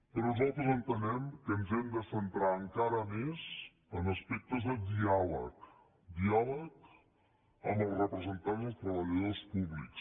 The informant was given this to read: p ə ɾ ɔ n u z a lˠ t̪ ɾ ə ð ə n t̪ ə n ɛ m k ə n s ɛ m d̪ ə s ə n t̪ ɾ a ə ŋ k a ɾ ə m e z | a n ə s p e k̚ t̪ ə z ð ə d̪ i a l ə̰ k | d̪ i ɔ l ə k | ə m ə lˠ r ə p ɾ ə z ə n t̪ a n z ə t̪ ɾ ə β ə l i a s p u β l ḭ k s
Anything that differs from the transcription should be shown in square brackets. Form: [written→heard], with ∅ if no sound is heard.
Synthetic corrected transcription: p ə ɾ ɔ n u z a lˠ t̪ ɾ ə [ð→z] ə n t̪ ə n ɛ m k ə n [s→z] ɛ m d̪ ə s ə n t̪ ɾ a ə ŋ k a ɾ ə m e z | [a→ə] n ə s p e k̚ t̪ ə z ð ə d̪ i a l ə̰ k | d̪ i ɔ l ə k | ə m ə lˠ r ə p ɾ ə z ə n t̪ a n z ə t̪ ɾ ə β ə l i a s p u β l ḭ k s

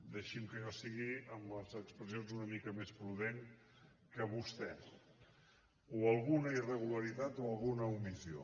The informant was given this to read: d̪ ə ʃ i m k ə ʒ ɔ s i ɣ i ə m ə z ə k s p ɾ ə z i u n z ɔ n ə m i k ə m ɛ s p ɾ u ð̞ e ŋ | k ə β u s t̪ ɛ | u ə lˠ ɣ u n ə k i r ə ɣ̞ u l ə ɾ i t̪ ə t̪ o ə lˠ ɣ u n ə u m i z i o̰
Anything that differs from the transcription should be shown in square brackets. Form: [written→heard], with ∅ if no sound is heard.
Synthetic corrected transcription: d̪ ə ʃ i m k ə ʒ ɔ s i ɣ i ə m ə z ə k s p ɾ ə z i [u→o] n z [ɔ→u] n ə m i k ə m [ɛ→e] s p ɾ u ð̞ e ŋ | k ə β u s t̪ ɛ | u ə lˠ ɣ u n ə [k→∅] i r ə ɣ̞ u l ə ɾ i t̪ [ə→a] t̪ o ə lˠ ɣ u n ə u m i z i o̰

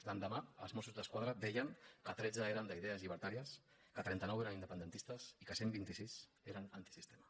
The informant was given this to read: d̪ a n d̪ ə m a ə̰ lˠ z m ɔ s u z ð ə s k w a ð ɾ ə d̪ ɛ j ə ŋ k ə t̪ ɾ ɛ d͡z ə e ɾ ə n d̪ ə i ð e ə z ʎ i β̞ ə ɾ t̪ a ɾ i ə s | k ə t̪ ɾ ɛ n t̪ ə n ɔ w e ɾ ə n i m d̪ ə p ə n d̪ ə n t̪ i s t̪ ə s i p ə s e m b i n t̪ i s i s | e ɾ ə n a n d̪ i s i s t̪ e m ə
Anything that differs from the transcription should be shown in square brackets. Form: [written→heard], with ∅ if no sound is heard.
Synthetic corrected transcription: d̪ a n d̪ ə m a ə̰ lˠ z m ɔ s u z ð ə s k w a ð ɾ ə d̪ ɛ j ə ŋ k ə t̪ ɾ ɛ d͡z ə e ɾ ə n d̪ ə i ð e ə z ʎ i β̞ ə ɾ t̪ a ɾ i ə s | k ə t̪ ɾ ɛ n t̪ ə n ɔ w e ɾ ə n i [m→n] d̪ ə p ə n d̪ ə n t̪ i s t̪ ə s i [p→k] ə s e m b i n t̪ i s i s | e ɾ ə n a n [d̪→t̪] i s i s t̪ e m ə

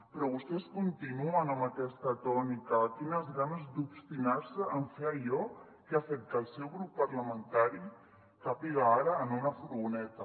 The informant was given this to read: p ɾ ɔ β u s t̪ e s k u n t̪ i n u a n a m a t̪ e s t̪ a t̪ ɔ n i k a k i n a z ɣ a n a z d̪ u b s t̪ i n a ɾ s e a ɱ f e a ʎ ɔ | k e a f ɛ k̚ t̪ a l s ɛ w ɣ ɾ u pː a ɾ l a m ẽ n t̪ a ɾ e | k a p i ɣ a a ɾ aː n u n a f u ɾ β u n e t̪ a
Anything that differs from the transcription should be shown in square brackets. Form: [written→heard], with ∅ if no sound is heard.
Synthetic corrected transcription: p ɾ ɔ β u s t̪ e s k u n t̪ i n u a n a m a t̪ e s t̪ a t̪ ɔ n i k a k i n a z ɣ a n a z d̪ u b s t̪ i n a ɾ s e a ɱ f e a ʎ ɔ | k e a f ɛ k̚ t̪ a l s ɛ w ɣ ɾ u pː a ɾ l a m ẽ n t̪ a ɾ [e→i] | k a p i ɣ a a ɾ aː n u n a f u ɾ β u n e t̪ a

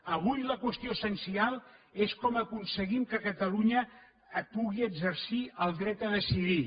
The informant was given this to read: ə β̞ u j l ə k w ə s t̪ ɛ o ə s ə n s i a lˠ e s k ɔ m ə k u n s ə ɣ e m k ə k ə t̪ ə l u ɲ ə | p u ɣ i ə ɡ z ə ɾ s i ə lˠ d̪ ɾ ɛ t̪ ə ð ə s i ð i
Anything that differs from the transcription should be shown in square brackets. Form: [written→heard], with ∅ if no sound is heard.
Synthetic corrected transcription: ə β̞ u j l ə k w ə s t̪ [ɛ→i] o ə s ə n s i a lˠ e s k ɔ m ə k u n s ə ɣ [e→i] m k ə k ə t̪ ə l u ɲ ə | p u ɣ i ə ɡ z ə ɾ s i ə lˠ d̪ ɾ ɛ t̪ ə ð ə s i ð i

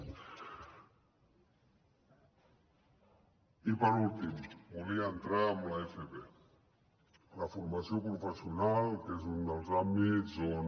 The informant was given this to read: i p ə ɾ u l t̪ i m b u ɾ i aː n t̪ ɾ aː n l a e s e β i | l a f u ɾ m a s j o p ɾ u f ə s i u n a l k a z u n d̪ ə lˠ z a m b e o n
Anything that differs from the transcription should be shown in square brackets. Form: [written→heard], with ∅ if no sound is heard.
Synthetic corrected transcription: i p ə ɾ u l t̪ i m b u [ɾ→l] i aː n t̪ ɾ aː [n→m] l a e [s→f] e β [i→e] | l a f u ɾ m a s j o p ɾ u f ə s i u n a l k [a→e] z u n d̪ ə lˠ z a m b [e→i] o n

